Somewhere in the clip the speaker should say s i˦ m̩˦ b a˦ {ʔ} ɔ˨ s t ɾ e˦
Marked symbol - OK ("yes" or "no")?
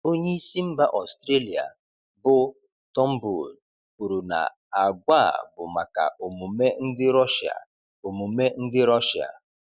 yes